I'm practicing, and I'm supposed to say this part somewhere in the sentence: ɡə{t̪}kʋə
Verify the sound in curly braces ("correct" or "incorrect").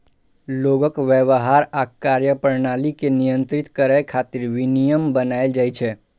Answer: incorrect